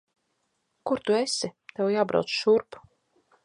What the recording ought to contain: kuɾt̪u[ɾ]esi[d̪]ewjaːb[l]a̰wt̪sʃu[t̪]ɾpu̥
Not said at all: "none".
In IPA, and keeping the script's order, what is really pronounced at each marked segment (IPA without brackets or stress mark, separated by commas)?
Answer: none, t̪, ɾ, none